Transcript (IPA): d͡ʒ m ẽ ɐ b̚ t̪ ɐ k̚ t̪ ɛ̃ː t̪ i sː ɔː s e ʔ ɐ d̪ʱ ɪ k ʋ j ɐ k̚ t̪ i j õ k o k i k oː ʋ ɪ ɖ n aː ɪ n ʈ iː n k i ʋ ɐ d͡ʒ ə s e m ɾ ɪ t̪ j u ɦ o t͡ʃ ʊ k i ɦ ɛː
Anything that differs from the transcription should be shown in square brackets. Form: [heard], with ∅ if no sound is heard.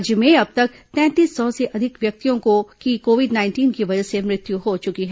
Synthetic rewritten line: d͡ʒ m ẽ ɐ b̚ t̪ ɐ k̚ t̪ ɛ̃ː t̪ [iː] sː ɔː s e ʔ ɐ d̪ʱ ɪ k ʋ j ɐ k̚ t̪ i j õ k o k i k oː ʋ ɪ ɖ n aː ɪ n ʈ iː n k i ʋ ɐ d͡ʒ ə s e m ɾ ɪ t̪ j u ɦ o t͡ʃ ʊ k i ɦ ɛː